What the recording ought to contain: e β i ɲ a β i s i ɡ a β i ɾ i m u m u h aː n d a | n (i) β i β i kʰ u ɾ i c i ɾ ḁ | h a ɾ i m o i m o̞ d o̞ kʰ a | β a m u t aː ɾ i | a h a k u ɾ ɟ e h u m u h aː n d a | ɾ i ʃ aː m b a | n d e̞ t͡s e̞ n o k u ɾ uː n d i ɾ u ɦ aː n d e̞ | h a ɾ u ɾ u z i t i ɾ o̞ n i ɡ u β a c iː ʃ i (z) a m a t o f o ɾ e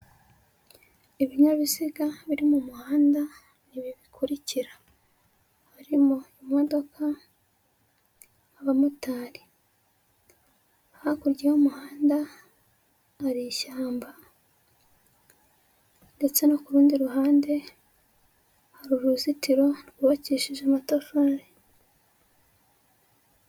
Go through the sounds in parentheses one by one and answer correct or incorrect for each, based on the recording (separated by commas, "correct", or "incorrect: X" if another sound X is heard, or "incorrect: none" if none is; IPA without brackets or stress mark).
correct, incorrect: ʒ